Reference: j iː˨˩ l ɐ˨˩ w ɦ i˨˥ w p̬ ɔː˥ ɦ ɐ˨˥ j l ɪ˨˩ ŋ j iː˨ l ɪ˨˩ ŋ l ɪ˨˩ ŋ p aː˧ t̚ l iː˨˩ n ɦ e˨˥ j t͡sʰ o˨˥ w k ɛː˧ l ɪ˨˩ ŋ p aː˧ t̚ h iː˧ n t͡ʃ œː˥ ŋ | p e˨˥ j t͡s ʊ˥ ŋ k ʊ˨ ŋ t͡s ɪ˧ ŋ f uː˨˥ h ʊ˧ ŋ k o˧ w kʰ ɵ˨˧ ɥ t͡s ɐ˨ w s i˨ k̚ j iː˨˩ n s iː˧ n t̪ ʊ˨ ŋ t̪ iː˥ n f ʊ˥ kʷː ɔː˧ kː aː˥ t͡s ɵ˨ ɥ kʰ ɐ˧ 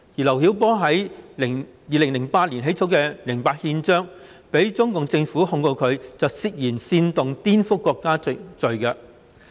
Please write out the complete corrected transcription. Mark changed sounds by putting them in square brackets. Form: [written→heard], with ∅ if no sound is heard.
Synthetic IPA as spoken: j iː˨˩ l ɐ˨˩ w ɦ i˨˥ w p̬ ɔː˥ ɦ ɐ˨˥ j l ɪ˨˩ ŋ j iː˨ l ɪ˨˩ ŋ l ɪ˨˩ ŋ p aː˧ t̚ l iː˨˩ n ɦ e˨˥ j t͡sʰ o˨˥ w k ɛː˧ l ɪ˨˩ ŋ p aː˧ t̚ h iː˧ n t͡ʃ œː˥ ŋ | p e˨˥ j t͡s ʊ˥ ŋ k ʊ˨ ŋ t͡s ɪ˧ ŋ f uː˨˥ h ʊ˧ ŋ k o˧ w kʰ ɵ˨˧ ɥ t͡s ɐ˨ w s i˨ k̚ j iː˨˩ n s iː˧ n t̪ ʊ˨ ŋ t̪ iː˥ n f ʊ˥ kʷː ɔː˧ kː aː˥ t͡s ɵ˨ ɥ [kʰ→k] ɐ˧